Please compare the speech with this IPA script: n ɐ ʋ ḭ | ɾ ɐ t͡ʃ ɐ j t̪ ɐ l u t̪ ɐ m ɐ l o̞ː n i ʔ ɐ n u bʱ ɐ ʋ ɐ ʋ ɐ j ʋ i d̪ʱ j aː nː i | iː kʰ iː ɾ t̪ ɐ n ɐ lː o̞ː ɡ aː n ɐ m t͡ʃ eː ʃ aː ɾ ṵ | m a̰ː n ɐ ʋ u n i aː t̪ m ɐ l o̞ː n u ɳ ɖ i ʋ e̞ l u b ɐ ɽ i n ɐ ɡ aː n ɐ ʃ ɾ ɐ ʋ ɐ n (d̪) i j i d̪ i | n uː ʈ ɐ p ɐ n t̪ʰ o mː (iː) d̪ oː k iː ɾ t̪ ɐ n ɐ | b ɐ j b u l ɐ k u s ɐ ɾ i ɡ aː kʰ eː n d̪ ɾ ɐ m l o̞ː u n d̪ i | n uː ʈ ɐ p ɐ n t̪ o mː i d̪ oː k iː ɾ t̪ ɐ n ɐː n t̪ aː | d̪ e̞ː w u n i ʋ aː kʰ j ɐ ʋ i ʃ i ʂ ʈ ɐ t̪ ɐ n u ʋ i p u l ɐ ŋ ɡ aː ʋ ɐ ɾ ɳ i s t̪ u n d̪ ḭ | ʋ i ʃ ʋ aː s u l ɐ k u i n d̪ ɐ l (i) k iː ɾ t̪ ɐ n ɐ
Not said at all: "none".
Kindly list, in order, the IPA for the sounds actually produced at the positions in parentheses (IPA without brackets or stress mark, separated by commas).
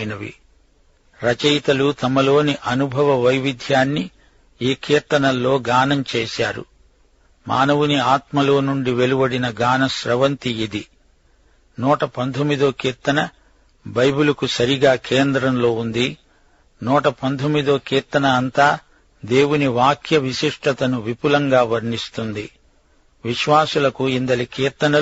t̪, i, i